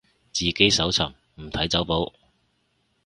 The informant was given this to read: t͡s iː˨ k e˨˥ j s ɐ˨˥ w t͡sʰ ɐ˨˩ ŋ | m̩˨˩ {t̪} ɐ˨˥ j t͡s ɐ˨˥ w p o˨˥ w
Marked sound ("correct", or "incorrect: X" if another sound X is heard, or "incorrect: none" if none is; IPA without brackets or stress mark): incorrect: t̪ʰ